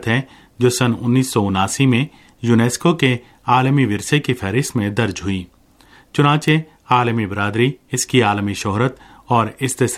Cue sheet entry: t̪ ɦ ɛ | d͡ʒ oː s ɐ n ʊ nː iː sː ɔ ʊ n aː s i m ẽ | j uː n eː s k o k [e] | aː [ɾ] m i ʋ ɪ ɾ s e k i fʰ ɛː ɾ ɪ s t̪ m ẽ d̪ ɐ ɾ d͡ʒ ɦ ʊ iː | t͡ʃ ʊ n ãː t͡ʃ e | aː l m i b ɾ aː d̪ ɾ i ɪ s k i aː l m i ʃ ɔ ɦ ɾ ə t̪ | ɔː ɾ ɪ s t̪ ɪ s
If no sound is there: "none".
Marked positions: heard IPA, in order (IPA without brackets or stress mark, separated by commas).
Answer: e, l